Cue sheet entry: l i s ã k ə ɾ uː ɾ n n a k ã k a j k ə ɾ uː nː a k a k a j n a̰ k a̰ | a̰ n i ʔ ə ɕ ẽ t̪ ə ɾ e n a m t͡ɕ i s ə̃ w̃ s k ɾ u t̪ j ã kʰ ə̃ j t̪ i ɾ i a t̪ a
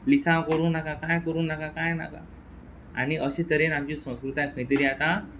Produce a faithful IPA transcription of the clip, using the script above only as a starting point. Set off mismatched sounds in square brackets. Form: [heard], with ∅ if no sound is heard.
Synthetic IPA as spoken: l i s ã k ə ɾ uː [∅] n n a k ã k a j k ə ɾ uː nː a k a k a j n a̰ k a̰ | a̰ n i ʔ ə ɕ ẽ t̪ ə ɾ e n a m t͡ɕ i s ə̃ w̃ s k ɾ u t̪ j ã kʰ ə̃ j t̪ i ɾ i a t̪ a